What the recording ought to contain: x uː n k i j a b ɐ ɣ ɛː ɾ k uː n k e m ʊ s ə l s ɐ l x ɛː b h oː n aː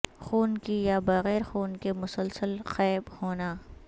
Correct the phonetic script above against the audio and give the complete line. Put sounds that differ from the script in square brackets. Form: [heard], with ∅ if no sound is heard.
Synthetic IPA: x uː n k i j a b ɐ ɣ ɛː ɾ [x] uː n k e m ʊ s ə l s [ə] l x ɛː b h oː n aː